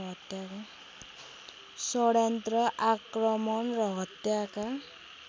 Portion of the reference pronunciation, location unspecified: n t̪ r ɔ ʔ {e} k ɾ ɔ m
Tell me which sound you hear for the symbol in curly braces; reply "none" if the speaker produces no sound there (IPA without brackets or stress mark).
a